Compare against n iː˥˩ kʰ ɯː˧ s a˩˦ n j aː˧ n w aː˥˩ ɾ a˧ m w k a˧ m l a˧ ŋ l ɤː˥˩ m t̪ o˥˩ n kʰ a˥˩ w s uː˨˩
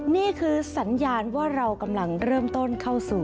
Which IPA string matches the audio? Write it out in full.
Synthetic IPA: n iː˥˩ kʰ ɯː˧ s a˩˦ n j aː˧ n w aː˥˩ ɾ a˧ w k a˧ m l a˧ ŋ ɾ ɤː˥˩ m t̪ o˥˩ n kʰ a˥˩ w s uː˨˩